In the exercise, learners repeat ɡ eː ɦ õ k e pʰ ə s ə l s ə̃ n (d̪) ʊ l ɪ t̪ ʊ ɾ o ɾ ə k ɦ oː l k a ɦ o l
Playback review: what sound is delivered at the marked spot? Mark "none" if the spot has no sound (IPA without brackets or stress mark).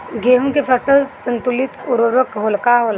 t̪